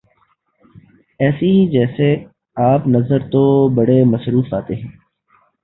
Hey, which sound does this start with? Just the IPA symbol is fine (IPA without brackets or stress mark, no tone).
ɛː